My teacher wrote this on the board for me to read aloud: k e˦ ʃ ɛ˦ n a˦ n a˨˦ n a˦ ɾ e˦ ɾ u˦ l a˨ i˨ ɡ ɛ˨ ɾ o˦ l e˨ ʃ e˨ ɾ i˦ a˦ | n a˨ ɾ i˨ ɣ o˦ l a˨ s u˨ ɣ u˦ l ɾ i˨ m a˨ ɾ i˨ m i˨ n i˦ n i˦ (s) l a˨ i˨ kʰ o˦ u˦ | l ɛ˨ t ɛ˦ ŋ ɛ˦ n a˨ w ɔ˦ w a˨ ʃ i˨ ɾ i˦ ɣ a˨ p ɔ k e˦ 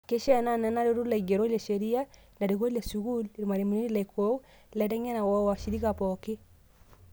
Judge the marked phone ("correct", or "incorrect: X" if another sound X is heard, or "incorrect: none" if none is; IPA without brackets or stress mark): incorrect: none